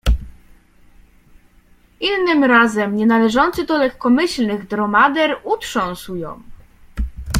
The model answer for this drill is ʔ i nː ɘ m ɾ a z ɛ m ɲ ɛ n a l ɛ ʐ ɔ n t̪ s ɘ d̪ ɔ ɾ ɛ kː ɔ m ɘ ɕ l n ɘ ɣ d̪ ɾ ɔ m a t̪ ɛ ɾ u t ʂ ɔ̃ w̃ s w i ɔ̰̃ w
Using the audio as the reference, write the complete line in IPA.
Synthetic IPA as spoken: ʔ i nː ɘ m ɾ a z ɛ m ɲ ɛ n a l ɛ ʐ ɔ n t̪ s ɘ d̪ ɔ l ɛ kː ɔ m ɘ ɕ l n ɘ ɣ d̪ ɾ ɔ m a d̪ ɛ ɾ u t ʂ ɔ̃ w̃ s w j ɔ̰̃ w